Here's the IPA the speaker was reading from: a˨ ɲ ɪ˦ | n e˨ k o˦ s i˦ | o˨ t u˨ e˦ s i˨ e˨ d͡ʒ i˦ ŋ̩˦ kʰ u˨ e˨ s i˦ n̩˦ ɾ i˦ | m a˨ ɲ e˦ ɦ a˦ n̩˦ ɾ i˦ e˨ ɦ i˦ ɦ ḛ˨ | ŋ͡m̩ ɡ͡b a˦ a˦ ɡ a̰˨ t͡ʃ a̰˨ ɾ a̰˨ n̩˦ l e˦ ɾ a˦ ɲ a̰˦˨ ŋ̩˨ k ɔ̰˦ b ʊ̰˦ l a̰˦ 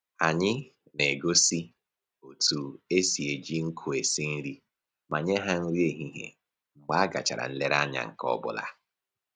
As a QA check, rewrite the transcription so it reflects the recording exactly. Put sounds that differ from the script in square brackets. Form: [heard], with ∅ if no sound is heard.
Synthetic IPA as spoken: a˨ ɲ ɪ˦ | n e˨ [ɡ] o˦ s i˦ | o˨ t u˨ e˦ s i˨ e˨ d͡ʒ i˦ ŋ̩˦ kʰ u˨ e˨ s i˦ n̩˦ ɾ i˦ | m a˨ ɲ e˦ ɦ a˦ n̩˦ ɾ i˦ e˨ ɦ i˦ ɦ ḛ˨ | ŋ͡m̩ ɡ͡b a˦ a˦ ɡ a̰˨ t͡ʃ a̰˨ ɾ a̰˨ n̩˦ l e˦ ɾ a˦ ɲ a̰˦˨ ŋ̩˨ k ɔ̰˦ b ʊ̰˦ l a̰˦